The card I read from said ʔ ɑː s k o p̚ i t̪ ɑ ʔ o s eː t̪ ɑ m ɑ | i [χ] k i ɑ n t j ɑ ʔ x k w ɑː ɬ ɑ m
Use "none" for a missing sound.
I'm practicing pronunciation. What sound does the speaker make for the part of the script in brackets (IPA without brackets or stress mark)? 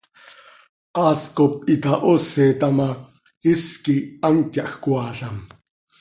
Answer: s